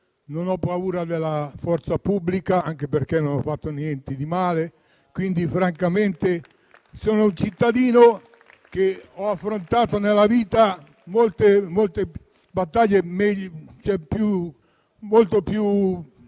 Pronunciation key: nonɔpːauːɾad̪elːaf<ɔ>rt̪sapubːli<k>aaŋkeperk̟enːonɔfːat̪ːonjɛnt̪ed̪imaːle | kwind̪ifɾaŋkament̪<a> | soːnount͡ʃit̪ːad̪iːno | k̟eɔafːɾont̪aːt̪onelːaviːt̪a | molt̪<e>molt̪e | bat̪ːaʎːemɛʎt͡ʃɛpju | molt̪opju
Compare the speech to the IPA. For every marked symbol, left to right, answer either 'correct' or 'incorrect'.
correct, correct, incorrect: e, correct

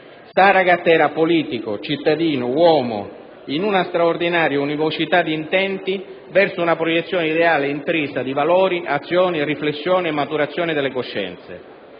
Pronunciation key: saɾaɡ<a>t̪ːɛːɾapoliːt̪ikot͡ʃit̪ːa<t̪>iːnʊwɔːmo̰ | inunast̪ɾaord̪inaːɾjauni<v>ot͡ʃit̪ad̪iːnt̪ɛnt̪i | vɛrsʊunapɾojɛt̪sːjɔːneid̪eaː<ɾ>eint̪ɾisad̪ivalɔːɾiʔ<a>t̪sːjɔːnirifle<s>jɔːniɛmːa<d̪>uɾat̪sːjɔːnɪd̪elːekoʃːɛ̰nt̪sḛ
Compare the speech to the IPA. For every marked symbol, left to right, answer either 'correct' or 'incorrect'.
correct, incorrect: d̪, correct, incorrect: l, correct, incorrect: sː, incorrect: t̪

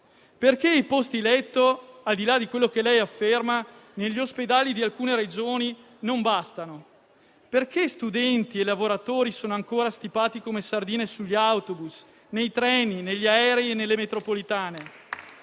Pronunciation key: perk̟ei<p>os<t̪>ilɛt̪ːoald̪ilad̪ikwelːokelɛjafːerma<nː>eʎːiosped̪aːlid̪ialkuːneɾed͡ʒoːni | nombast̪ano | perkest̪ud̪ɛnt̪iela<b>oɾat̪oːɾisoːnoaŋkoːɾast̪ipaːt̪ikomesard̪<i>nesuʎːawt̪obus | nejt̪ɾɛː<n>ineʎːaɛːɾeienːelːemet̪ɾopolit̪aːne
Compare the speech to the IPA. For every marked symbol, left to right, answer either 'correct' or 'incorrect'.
correct, correct, incorrect: n, incorrect: v, incorrect: iː, correct

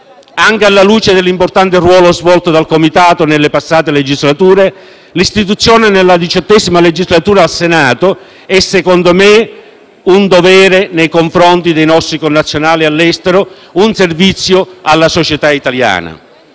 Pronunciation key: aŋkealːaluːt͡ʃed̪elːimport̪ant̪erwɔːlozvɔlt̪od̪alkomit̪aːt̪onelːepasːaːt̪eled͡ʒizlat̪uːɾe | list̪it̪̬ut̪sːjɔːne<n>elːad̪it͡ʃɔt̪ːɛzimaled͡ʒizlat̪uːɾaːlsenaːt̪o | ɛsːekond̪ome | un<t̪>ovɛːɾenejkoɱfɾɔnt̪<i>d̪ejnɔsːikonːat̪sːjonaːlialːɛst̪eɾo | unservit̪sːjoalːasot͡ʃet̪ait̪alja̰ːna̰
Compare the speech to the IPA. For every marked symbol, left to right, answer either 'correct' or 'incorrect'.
correct, incorrect: d̪, correct

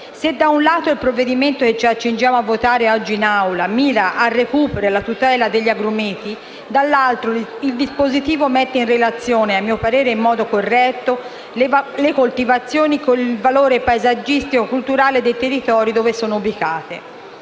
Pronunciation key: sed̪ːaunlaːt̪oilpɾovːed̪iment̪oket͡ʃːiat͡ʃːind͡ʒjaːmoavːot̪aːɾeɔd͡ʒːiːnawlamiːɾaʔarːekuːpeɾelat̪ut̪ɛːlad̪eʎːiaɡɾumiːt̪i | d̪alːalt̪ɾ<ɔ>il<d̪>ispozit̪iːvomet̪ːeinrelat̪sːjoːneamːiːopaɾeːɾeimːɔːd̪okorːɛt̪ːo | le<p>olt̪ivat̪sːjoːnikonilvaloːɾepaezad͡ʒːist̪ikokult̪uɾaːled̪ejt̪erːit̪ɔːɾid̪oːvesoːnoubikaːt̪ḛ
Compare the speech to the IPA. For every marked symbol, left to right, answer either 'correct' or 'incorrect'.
incorrect: o, correct, incorrect: k

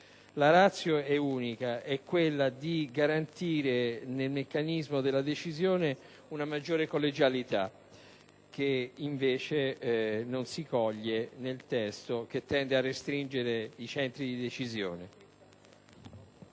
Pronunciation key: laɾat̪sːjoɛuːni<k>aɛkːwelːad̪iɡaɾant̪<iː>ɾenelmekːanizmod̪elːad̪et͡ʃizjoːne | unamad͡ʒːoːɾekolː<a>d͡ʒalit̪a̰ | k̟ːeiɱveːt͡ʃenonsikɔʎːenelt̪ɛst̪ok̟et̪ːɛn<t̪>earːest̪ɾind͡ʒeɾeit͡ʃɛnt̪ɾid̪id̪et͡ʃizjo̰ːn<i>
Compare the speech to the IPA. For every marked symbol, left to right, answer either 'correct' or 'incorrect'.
correct, correct, incorrect: e, incorrect: d̪, incorrect: e

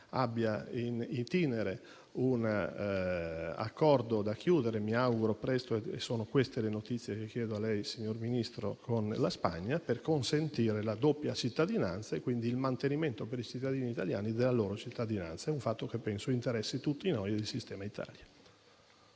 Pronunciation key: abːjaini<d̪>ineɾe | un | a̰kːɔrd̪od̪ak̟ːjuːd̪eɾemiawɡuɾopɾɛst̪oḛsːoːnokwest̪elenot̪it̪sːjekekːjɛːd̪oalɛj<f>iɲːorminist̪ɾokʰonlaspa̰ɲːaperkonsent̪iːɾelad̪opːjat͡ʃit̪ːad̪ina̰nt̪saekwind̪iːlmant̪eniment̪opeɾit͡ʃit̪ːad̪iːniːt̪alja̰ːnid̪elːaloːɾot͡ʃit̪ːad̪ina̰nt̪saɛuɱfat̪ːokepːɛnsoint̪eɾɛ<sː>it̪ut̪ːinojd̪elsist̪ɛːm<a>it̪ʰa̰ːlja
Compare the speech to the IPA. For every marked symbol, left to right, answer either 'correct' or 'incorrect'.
incorrect: t̪, incorrect: s, correct, correct

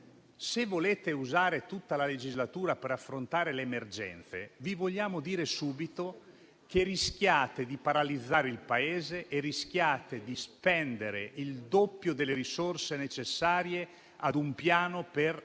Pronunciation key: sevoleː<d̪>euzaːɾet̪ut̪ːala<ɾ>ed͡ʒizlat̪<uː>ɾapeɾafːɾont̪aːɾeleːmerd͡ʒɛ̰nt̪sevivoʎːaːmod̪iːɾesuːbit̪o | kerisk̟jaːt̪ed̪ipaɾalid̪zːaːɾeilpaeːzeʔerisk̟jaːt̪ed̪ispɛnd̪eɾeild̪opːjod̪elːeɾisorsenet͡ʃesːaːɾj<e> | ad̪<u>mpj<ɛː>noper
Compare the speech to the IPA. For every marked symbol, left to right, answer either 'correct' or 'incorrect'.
incorrect: t̪, incorrect: l, correct, correct, correct, incorrect: aː

